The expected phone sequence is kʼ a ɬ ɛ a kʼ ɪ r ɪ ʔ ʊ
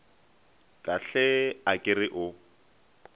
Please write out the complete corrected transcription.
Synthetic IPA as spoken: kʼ a ɬ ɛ a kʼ ɪ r ɪ ʔ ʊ